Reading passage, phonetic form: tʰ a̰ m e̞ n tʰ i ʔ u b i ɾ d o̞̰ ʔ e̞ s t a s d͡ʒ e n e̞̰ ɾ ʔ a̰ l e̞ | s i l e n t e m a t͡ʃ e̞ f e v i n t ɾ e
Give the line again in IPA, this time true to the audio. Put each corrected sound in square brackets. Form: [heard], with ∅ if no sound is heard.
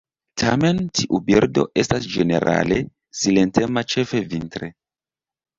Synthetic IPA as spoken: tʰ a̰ m e̞ n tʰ i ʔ u b i ɾ d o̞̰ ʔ e̞ s t a s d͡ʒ e n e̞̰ ɾ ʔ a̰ l e̞ | s i l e n t e m a t͡ʃ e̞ f e v i n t ɾ e